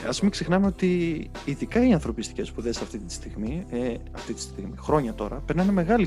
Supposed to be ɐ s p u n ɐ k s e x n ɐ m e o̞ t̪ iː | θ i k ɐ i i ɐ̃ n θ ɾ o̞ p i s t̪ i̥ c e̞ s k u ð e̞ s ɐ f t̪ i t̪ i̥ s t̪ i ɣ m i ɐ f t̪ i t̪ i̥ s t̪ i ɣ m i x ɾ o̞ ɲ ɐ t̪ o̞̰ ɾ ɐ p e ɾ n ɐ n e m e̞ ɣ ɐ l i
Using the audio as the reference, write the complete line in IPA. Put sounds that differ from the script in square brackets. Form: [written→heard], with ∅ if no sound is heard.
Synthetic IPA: ɐ s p u [n→m] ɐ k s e x n ɐ m e o̞ t̪ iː | [θ→ð] i k ɐ i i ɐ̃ n θ ɾ o̞ p i s t̪ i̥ c e̞ s [k→p] u ð e̞ s ɐ f t̪ i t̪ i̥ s t̪ i ɣ m i ɐ f t̪ i t̪ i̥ s t̪ i ɣ m i x ɾ o̞ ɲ ɐ t̪ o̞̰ ɾ ɐ p e ɾ n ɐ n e m e̞ ɣ ɐ l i